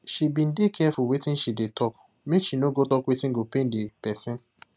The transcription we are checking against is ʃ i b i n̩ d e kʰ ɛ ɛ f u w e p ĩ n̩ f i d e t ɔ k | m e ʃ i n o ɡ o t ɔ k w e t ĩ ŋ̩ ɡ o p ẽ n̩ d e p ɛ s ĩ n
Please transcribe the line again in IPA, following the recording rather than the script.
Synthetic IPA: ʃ i b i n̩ d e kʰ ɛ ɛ f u w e t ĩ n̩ ʃ i d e t ɔ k | m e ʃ i n o ɡ o t ɔ k w e t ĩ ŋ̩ ɡ o p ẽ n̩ d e p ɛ s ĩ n